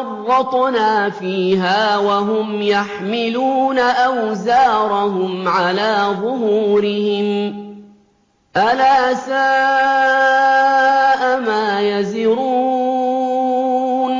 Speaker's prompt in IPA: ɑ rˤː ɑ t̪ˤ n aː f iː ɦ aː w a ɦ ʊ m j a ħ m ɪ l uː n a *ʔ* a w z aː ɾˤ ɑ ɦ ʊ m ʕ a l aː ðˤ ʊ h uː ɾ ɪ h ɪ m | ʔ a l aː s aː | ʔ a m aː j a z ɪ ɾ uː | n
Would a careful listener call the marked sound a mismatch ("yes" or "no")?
no